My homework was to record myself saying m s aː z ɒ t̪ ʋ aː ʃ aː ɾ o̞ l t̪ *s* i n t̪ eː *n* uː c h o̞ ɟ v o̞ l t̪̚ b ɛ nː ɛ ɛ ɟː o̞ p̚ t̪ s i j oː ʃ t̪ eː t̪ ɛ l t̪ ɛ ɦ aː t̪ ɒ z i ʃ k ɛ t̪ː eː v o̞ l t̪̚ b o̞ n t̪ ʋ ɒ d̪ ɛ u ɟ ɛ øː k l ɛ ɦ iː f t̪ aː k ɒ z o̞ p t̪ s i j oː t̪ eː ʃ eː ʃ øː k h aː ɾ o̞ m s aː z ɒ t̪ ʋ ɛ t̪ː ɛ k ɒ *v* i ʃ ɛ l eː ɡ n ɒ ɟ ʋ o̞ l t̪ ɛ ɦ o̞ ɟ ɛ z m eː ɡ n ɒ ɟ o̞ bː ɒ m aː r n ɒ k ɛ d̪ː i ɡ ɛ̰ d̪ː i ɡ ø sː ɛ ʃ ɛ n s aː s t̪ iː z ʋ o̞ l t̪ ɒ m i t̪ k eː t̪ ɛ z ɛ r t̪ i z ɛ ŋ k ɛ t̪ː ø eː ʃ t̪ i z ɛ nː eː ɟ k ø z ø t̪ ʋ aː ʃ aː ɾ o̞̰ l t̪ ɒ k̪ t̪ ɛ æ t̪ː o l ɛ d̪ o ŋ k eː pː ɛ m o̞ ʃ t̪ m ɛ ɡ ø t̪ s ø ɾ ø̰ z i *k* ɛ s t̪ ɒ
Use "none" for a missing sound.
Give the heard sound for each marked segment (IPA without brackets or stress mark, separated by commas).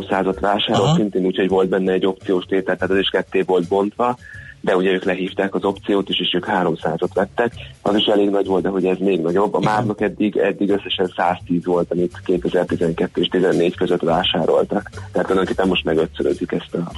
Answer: s, n, z, k